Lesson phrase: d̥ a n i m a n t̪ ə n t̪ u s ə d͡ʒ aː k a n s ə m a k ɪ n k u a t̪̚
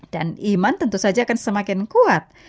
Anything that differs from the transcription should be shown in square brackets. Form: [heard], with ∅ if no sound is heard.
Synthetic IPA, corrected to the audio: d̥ a n i m a n t̪ ə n t̪ u s [a] d͡ʒ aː k a n s ə m a k ɪ n k u a t̪̚